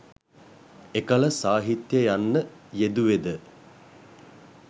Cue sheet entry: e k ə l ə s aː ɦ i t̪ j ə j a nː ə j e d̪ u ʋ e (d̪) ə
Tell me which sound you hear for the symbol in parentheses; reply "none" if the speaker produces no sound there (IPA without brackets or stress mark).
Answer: d̪